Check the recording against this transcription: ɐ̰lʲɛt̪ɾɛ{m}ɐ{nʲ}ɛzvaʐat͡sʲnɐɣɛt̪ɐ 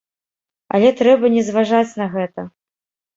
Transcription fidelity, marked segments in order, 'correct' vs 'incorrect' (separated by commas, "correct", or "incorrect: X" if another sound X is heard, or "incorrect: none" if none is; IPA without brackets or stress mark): incorrect: b, correct